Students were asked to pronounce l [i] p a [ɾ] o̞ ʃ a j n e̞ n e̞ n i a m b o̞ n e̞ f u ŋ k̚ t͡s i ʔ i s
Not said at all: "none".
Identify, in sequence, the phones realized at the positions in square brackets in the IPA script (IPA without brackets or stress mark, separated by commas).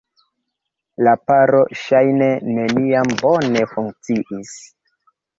a, ɾ